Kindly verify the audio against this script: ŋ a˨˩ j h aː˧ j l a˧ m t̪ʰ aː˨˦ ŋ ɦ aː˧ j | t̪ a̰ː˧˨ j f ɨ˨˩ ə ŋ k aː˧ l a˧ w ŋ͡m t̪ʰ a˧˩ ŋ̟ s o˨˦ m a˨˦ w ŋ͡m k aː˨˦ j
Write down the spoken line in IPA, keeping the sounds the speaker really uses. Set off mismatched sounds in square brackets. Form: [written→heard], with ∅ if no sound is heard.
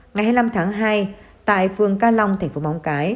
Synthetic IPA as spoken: ŋ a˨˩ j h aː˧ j l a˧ m t̪ʰ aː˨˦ ŋ ɦ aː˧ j | t̪ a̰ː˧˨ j f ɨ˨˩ ə ŋ k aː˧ l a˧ w ŋ͡m t̪ʰ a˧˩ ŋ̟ [s→f] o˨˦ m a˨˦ w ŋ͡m k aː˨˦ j